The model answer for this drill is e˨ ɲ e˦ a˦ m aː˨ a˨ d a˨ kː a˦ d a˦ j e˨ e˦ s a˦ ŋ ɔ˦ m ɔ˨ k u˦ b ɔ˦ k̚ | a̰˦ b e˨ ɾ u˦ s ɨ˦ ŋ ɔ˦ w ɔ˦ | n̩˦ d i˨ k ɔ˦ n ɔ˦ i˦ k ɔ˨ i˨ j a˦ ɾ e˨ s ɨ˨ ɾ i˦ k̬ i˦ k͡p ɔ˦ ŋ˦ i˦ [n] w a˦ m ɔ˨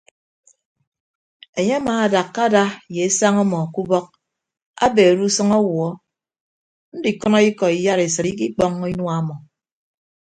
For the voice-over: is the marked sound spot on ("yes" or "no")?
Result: yes